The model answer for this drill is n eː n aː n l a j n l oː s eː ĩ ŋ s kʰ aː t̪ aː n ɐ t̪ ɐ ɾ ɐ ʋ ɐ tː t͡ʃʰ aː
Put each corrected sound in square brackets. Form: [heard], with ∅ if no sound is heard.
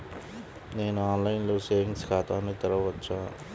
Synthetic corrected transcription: n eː n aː n l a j n l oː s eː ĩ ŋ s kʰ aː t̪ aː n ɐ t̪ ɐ ɾ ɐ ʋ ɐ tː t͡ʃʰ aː